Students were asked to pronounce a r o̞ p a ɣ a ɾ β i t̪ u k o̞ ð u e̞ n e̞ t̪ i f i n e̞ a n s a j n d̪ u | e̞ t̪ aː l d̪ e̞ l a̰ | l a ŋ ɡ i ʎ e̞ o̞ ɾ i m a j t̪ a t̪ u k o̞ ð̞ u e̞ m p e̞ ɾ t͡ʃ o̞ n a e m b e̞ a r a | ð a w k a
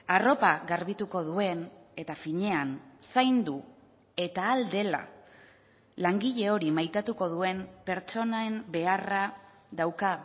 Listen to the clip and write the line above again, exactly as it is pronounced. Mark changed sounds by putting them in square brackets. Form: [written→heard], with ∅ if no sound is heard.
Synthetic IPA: a r o̞ p a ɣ a ɾ β i t̪ u k o̞ ð u e̞ n e̞ t̪ [i→a] f i [n→ɲ] e̞ a n s a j n d̪ u | e̞ t̪ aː l d̪ e̞ l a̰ | l a ŋ ɡ i ʎ e̞ o̞ ɾ i m a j t̪ a t̪ u k o̞ ð̞ u e̞ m p e̞ ɾ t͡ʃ o̞ n a e m b e̞ a r a | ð a w k a